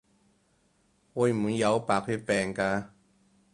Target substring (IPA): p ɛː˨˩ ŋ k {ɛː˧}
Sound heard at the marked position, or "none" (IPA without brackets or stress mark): aː˧